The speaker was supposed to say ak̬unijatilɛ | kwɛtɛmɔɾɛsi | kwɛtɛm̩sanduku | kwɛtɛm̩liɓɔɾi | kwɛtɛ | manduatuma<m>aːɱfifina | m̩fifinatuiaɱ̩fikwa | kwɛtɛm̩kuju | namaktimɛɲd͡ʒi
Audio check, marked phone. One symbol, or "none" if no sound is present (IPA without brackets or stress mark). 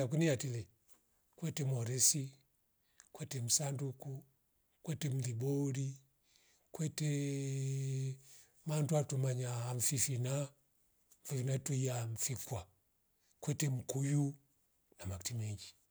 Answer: ɲ